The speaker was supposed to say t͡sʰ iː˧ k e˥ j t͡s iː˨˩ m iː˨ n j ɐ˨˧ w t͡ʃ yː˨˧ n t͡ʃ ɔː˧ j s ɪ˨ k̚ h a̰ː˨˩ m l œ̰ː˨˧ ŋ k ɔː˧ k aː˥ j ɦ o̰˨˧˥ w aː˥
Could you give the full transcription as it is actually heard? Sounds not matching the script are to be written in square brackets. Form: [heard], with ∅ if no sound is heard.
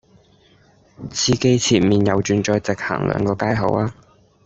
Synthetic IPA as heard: t͡sʰ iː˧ k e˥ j [t͡sʰ] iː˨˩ m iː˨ n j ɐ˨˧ w t͡ʃ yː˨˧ n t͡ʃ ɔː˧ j [t͡s] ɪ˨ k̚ h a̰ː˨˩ [ŋ] l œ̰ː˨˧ ŋ k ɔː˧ k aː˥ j ɦ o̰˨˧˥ w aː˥